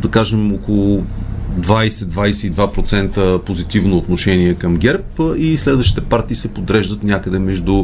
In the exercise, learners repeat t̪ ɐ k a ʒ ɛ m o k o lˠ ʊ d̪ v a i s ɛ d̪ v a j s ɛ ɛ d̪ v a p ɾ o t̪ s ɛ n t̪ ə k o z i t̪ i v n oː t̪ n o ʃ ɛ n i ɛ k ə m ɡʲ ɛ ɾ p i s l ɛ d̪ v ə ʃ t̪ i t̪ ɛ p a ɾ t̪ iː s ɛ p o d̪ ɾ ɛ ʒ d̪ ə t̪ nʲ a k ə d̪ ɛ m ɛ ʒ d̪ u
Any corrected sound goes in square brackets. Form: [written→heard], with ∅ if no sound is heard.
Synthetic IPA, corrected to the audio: [t̪→d̪] ɐ k a ʒ ɛ m o k o lˠ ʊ d̪ v a [i→j] s ɛ d̪ v a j s ɛ [ɛ→i] d̪ v a p ɾ o t̪ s ɛ n t̪ ə [k→p] o z i t̪ i v n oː t̪ n o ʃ ɛ n i ɛ k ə m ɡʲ ɛ ɾ p i s l ɛ d̪ v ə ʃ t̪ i t̪ ɛ p a ɾ t̪ iː s ɛ p o d̪ ɾ ɛ ʒ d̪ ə t̪ nʲ a k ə d̪ ɛ m ɛ ʒ d̪ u